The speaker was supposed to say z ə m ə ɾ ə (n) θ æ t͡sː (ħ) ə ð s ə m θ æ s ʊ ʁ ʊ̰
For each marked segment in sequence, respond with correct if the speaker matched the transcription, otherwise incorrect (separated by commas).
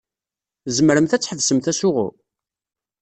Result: incorrect, correct